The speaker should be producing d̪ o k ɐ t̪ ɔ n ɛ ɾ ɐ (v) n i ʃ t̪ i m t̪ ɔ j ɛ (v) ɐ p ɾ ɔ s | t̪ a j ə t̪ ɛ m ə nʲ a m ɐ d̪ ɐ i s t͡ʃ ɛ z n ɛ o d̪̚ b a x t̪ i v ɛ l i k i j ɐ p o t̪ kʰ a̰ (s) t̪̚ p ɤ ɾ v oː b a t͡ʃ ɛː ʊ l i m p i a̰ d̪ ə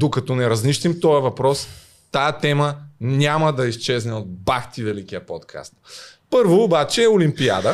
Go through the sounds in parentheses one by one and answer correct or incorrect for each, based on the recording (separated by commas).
incorrect, correct, correct